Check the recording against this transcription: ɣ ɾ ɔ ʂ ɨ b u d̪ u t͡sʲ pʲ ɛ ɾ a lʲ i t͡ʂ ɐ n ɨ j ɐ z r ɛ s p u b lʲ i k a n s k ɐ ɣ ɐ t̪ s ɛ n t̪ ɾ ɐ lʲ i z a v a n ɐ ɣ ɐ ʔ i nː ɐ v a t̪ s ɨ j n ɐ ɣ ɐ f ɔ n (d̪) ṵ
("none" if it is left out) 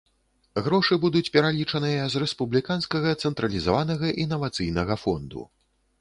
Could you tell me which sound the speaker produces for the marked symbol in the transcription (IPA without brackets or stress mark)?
d̪